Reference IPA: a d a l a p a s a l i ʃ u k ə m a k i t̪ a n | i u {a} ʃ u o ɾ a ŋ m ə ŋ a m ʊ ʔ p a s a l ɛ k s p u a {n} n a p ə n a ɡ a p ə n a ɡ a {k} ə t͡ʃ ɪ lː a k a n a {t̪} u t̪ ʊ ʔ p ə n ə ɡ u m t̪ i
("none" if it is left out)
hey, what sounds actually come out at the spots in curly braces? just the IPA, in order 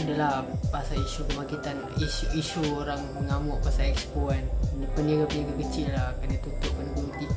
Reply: i, n, k, t̪

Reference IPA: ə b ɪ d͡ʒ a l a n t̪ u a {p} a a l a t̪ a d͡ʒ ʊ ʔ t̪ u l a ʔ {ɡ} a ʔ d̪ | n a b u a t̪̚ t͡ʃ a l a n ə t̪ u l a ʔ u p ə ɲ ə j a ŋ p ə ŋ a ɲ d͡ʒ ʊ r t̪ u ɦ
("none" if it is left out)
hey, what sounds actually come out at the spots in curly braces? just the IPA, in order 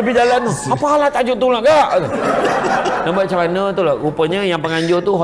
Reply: p, ɡ

